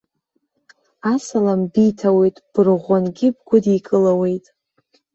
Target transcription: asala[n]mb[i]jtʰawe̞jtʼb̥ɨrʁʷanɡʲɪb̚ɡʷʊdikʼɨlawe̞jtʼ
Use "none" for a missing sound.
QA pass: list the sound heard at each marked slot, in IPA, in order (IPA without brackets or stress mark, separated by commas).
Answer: none, i